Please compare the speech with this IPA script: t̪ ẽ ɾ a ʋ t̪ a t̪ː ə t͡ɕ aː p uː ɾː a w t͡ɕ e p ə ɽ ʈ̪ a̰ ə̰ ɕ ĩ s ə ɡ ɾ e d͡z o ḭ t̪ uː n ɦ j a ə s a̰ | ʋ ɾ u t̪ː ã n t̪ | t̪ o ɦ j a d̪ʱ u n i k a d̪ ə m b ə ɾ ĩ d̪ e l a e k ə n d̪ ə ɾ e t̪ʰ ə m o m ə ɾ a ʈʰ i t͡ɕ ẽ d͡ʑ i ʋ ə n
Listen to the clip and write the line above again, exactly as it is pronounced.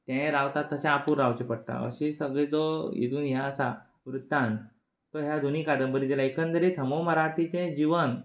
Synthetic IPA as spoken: t̪ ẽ ɾ a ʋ t̪ a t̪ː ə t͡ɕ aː p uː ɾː a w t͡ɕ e p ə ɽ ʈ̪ a̰ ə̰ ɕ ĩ s ə ɡ ɭ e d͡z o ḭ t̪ uː n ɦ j a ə s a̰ | ʋ ɾ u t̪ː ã n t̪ | t̪ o ɦ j a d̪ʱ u n i k a d̪ ə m b ə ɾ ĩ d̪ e l a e k ə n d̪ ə ɾ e t̪ʰ ə m o m ə ɾ a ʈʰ i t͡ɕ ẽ d͡ʑ i ʋ ə n